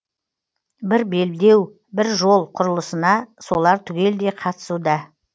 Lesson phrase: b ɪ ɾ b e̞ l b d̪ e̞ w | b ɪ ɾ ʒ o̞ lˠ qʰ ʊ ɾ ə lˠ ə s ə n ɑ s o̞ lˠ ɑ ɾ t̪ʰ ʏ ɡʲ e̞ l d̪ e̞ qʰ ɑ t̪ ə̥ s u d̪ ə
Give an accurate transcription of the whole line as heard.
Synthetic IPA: b ɪ ɾ b e̞ l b d̪ e̞ w | b ɪ ɾ ʒ o̞ lˠ qʰ ʊ ɾ ə lˠ ə s ə n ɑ s o̞ lˠ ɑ ɾ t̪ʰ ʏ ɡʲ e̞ l d̪ e̞ qʰ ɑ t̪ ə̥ s u d̪ ɑ